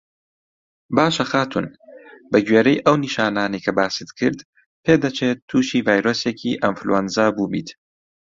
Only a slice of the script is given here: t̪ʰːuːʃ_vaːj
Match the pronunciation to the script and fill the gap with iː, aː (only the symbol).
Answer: iː